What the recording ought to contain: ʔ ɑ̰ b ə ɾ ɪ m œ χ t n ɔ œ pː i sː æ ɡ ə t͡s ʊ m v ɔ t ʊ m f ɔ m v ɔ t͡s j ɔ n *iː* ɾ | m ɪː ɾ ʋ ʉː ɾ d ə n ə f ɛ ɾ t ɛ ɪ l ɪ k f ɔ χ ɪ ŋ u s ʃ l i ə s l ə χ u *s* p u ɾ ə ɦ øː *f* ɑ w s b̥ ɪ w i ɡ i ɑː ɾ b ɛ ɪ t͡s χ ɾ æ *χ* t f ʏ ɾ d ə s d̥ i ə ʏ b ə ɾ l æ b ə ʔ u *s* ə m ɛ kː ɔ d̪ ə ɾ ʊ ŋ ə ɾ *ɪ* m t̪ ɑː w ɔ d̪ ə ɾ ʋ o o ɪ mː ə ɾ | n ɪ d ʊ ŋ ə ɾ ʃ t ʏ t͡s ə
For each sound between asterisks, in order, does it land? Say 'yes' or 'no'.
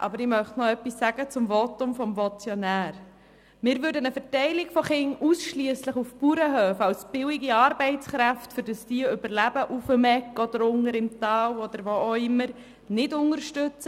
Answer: no, no, yes, no, no, yes

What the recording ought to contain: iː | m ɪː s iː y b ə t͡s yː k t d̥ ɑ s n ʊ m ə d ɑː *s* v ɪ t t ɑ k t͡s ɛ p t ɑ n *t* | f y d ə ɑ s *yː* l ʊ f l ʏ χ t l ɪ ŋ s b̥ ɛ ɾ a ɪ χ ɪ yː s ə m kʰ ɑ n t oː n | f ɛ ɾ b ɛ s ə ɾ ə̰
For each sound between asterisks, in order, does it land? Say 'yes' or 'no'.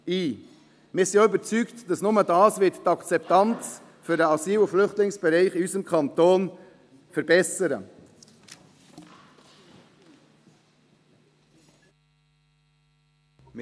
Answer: yes, no, no

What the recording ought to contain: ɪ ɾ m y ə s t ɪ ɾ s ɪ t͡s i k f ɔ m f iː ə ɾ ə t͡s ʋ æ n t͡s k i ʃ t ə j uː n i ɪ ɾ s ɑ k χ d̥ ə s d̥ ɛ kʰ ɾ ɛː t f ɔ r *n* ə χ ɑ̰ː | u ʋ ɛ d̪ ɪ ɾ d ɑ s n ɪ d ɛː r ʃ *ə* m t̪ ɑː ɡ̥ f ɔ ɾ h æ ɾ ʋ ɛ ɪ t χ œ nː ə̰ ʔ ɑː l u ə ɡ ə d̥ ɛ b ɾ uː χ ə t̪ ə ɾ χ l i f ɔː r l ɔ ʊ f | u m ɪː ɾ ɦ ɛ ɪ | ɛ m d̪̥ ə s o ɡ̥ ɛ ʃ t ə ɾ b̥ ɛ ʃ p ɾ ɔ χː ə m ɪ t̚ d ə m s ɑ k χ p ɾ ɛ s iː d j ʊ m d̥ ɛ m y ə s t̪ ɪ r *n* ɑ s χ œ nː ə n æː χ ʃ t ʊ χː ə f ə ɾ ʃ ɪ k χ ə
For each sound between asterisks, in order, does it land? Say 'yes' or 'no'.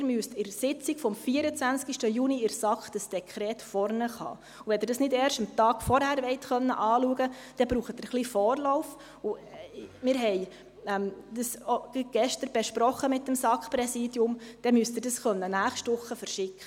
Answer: yes, yes, no

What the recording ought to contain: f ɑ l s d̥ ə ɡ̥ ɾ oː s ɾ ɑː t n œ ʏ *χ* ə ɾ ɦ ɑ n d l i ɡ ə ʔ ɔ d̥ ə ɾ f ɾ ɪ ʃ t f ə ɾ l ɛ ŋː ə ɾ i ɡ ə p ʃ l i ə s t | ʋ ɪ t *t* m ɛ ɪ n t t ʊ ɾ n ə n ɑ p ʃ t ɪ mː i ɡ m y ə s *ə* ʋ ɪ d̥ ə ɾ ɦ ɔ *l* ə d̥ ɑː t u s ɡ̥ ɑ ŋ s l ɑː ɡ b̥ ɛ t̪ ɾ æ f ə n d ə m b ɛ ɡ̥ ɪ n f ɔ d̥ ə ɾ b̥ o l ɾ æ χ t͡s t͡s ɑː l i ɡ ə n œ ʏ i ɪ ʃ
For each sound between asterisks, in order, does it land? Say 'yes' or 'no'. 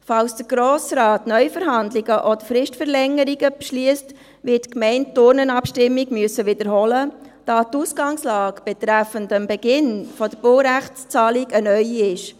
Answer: no, no, yes, yes

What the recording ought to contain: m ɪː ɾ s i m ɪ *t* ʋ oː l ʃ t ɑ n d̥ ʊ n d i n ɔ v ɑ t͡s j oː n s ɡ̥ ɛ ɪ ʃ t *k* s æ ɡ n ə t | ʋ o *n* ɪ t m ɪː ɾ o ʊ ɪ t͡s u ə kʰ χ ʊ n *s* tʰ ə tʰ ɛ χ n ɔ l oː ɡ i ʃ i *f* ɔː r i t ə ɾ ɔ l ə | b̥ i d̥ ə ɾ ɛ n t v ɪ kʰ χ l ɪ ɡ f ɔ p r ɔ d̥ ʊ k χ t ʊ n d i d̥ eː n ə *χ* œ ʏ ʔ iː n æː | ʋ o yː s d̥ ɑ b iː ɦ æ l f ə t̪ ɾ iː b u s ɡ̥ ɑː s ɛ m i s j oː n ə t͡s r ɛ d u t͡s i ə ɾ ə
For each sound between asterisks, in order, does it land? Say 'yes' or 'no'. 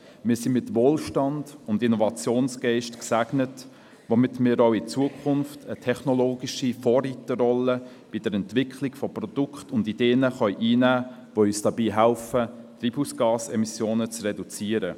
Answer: yes, yes, no, no, yes, yes

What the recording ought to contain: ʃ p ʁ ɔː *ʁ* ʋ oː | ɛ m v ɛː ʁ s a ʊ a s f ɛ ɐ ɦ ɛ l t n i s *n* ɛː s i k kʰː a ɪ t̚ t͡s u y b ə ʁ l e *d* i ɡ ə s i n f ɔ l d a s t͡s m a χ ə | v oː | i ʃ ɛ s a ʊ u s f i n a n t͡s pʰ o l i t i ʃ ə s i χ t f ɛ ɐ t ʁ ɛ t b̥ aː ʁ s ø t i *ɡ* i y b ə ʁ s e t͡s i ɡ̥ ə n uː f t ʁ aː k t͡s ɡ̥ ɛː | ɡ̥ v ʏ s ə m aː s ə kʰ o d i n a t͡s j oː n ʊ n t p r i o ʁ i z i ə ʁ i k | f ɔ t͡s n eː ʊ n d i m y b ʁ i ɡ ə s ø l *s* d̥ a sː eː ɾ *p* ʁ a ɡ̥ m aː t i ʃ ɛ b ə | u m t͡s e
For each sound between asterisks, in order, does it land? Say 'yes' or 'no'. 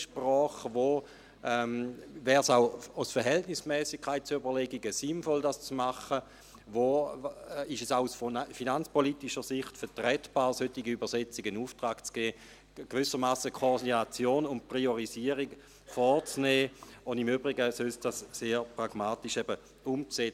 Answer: no, no, no, yes, yes, yes

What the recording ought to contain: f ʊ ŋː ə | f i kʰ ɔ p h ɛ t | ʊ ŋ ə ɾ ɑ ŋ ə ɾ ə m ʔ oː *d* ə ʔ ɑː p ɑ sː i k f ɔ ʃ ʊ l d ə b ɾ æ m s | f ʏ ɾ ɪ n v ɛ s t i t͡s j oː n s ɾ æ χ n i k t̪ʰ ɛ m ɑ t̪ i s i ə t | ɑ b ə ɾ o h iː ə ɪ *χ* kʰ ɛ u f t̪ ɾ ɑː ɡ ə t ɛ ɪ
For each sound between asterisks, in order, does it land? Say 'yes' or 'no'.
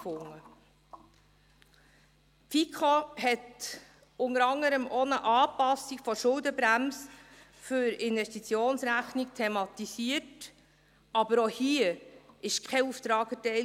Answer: no, no

